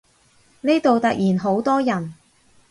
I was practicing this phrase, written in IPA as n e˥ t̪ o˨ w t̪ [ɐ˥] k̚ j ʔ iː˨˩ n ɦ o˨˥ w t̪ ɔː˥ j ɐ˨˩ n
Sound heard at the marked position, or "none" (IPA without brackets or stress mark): ɐ˨